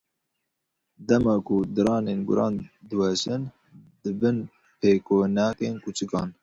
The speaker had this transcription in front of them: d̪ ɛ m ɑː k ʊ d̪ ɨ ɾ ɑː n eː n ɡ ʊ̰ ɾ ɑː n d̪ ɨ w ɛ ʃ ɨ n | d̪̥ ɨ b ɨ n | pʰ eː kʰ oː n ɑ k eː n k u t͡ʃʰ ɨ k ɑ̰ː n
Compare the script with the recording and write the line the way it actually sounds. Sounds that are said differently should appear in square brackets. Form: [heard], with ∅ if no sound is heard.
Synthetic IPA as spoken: d̪ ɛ m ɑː k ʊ d̪ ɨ ɾ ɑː n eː n ɡ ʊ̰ ɾ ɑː n d̪ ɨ w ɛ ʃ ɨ n | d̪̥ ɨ b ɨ n | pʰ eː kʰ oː n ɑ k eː n k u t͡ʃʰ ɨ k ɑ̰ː n